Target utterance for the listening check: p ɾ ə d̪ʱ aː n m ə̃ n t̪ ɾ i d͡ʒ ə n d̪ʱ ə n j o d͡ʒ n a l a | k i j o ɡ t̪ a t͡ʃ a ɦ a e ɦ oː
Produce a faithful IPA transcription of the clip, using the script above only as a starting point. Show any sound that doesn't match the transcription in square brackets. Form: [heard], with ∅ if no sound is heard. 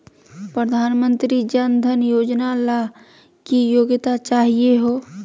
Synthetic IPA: p ɾ ə d̪ʱ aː n m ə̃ n t̪ ɾ i d͡ʒ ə n d̪ʱ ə n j o d͡ʒ n a l a | k i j o ɡ t̪ a t͡ʃ a ɦ [i] e ɦ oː